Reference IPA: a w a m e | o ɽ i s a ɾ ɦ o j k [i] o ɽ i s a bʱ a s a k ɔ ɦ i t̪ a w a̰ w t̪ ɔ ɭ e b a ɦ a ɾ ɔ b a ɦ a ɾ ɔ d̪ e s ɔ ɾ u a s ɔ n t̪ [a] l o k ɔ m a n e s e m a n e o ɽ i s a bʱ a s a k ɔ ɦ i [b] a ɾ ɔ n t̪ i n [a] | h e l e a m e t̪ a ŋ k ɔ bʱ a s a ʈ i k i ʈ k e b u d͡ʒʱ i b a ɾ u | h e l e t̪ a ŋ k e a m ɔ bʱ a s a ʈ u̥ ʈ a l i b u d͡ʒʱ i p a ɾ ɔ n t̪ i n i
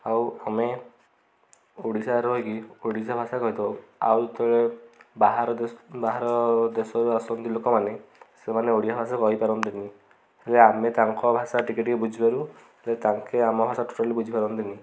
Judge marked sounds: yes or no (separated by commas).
yes, no, no, no